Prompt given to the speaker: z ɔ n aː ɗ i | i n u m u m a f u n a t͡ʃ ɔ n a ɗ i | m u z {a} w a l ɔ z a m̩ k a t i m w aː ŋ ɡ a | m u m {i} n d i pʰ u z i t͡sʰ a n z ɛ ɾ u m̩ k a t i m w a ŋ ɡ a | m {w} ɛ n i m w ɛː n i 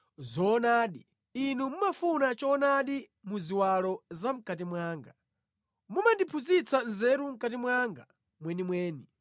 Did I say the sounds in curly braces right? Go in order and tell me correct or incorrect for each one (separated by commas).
incorrect, incorrect, correct